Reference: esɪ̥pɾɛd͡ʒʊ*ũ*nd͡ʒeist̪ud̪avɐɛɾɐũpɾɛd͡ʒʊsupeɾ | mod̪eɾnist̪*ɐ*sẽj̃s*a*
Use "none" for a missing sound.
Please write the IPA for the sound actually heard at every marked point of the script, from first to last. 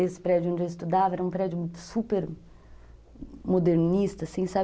õ, ɐ, a

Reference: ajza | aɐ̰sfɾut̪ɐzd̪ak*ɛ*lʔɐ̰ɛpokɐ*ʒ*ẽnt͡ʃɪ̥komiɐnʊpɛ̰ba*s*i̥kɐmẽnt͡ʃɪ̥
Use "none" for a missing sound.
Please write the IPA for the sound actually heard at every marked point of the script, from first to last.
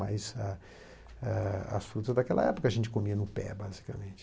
ɛ, ʒ, z

